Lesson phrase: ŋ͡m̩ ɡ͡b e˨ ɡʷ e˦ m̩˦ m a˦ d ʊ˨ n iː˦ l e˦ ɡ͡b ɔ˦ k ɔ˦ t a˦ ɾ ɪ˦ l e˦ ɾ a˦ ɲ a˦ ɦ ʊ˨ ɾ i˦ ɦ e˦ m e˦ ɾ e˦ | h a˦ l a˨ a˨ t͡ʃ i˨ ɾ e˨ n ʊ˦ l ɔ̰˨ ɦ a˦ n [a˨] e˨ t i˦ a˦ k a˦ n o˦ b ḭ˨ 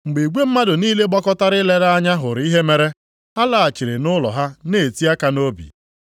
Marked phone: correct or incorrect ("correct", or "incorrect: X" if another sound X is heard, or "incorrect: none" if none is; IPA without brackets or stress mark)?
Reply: incorrect: e˨